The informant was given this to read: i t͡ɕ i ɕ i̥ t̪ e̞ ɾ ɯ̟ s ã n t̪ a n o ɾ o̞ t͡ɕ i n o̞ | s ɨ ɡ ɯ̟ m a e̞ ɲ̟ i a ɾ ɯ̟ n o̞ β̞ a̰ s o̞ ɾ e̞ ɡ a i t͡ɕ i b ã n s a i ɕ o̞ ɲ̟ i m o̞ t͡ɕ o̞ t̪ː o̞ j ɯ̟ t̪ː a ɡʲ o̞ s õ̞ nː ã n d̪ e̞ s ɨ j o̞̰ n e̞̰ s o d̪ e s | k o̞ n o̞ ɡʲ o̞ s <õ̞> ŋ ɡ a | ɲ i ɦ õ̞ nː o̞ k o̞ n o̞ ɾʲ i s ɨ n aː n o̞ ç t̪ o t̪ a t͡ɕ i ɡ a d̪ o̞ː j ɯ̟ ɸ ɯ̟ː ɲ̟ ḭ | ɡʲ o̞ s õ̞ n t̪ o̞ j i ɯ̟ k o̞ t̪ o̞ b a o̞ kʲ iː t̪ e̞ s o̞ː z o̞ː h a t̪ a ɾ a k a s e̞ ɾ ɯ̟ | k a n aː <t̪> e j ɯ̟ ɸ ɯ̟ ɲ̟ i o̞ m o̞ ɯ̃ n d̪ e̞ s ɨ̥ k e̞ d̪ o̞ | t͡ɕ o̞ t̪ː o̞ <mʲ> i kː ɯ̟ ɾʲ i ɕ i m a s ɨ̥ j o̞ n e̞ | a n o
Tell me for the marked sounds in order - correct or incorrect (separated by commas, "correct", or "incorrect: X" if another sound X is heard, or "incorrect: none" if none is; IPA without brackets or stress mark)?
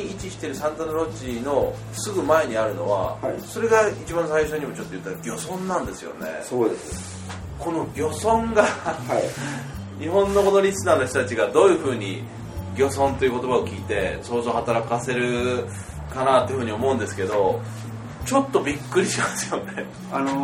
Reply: correct, correct, incorrect: bʲ